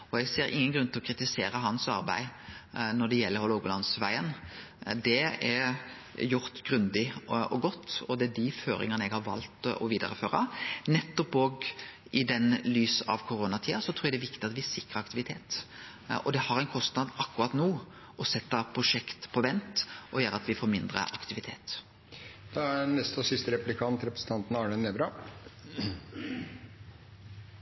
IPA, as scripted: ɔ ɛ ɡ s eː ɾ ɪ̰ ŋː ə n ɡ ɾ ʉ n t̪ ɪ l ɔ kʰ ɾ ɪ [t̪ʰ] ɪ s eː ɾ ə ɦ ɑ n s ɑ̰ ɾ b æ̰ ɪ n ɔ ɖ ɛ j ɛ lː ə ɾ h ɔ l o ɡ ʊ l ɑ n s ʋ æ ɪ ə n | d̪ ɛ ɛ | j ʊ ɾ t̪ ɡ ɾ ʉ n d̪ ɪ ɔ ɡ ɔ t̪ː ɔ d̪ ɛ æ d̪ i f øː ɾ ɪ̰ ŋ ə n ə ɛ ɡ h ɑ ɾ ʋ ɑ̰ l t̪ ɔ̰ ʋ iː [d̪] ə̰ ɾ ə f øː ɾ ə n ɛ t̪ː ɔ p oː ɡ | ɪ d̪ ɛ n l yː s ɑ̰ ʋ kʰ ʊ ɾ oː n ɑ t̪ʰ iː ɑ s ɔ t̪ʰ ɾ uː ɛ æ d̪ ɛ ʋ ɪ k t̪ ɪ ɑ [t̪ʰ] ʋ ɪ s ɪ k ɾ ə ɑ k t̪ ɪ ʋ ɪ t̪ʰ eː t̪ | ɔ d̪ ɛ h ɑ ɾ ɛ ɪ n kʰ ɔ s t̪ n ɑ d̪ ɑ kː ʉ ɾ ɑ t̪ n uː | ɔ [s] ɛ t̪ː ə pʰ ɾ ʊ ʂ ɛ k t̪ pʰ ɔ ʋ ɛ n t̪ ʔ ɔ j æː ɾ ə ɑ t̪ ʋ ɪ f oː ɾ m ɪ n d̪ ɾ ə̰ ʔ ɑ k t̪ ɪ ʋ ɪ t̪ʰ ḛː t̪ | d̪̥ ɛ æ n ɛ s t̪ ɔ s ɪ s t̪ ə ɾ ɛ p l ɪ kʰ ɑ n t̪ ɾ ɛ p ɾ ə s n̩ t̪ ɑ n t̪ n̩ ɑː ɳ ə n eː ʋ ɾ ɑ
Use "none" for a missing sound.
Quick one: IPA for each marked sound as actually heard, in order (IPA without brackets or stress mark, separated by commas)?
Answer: t̪, d̪, t̪, s